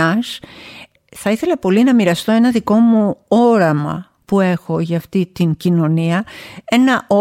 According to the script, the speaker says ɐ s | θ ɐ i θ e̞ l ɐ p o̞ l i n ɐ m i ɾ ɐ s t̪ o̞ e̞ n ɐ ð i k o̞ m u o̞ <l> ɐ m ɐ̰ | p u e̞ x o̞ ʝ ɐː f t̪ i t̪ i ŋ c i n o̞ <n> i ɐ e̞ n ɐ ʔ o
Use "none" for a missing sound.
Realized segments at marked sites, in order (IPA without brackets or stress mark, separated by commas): ɾ, n